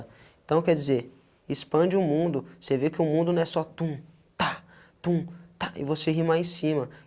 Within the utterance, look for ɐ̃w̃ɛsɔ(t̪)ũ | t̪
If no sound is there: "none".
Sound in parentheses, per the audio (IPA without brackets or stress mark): t̪